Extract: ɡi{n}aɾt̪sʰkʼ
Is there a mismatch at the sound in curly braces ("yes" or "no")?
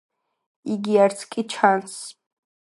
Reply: yes